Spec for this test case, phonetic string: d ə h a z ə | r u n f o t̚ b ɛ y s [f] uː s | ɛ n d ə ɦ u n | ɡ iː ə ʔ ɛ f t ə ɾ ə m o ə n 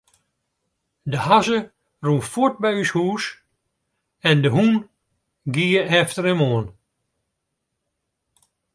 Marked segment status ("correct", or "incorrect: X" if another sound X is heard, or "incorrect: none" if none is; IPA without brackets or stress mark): incorrect: h